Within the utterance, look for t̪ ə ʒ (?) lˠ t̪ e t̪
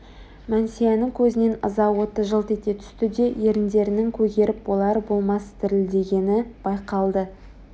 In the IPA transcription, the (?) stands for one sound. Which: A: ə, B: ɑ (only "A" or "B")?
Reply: A